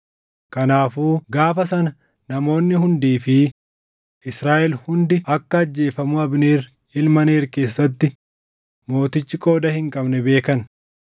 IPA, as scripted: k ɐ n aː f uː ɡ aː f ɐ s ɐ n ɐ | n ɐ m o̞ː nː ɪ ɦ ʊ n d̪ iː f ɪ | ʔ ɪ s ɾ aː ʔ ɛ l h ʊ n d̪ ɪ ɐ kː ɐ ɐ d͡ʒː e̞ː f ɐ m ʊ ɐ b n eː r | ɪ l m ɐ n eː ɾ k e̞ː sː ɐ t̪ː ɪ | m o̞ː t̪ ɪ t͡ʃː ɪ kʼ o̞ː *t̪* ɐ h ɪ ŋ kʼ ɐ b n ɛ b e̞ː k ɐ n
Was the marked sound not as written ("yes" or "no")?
yes